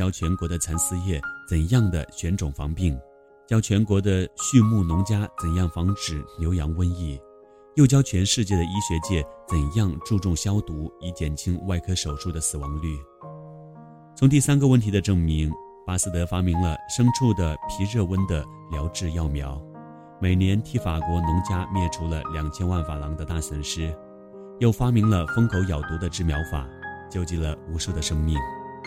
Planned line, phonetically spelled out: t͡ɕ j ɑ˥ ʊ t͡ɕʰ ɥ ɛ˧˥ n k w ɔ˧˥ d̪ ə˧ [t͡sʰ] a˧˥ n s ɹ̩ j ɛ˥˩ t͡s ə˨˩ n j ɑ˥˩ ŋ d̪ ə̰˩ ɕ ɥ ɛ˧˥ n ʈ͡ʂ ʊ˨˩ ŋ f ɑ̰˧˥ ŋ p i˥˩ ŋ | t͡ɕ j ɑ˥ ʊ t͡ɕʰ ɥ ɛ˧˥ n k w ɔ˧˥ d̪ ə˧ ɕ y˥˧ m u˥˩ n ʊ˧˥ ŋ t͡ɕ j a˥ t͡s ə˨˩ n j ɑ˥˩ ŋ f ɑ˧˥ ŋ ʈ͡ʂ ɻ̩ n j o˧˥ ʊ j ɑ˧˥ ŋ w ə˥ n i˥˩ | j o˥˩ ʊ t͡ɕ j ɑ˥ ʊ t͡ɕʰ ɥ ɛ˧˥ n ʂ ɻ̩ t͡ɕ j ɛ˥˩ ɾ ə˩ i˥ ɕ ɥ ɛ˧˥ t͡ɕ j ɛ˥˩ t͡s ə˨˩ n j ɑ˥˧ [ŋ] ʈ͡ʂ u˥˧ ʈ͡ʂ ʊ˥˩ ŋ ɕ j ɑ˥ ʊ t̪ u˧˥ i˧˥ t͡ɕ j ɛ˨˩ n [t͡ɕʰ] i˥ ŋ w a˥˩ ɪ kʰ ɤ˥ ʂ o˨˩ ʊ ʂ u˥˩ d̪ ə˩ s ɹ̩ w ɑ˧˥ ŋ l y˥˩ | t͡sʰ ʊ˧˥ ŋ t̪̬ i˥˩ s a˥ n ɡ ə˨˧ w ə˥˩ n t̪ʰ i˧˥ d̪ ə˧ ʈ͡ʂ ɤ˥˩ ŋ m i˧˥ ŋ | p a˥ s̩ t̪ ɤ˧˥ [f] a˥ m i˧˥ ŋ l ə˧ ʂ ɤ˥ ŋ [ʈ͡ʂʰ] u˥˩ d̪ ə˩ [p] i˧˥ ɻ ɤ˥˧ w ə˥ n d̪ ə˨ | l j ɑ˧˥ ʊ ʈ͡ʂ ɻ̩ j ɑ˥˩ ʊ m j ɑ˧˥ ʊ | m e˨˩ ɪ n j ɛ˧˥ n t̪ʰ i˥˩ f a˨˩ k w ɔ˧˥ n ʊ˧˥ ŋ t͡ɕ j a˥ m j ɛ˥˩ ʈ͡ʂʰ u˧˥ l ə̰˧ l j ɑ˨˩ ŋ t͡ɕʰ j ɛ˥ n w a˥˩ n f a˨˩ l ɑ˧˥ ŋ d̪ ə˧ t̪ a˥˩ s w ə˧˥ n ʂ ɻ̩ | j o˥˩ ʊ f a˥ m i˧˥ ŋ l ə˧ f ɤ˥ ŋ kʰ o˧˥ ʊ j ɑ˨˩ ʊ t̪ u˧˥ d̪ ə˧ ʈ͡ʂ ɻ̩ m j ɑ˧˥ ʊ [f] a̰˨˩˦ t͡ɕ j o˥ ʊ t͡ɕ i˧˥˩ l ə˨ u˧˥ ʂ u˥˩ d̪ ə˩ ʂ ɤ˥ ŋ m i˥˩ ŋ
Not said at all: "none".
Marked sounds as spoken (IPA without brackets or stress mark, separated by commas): t͡sʰ, ŋ, t͡ɕʰ, f, ʈ͡ʂʰ, pʰ, f